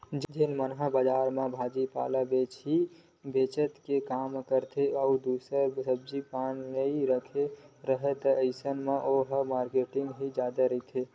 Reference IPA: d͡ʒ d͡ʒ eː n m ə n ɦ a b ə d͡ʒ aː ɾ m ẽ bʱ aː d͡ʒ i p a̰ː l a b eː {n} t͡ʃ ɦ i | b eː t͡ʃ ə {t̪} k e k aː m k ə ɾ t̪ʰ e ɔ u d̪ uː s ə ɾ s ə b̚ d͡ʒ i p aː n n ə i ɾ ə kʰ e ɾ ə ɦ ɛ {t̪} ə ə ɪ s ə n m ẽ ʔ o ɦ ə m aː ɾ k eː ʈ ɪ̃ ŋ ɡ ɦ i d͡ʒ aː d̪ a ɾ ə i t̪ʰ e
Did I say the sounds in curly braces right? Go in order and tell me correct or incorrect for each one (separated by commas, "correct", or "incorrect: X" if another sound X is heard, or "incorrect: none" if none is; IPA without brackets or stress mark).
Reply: incorrect: none, correct, correct